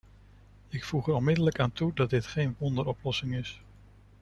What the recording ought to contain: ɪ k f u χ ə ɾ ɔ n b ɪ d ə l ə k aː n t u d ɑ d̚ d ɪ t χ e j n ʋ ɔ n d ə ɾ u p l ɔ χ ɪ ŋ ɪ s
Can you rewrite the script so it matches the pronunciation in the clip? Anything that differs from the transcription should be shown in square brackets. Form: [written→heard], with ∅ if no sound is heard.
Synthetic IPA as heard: ɪ k f u χ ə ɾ ɔ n [b→m] ɪ d ə l ə k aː n t u d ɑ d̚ d ɪ t χ e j n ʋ ɔ n d ə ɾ [u→ɔ] p l ɔ [χ→s] ɪ ŋ ɪ s